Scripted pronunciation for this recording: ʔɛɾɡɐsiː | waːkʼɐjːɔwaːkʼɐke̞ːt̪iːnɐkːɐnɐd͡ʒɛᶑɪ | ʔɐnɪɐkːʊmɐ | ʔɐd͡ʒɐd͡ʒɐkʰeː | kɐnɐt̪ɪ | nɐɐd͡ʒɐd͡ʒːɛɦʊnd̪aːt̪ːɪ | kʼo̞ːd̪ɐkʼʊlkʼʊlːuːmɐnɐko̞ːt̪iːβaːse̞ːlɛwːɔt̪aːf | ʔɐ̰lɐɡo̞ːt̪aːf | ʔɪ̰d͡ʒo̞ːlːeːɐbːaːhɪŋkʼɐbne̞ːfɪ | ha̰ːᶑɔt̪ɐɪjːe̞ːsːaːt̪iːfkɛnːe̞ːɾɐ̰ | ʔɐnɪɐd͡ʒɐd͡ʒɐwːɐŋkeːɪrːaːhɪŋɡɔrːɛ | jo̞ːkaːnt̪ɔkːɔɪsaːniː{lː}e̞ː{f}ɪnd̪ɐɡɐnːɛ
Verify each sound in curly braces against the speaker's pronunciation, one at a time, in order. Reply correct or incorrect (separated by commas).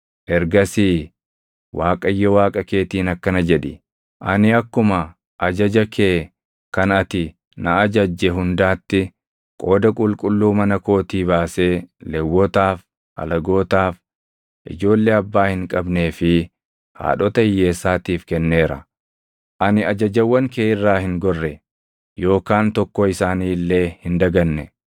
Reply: correct, incorrect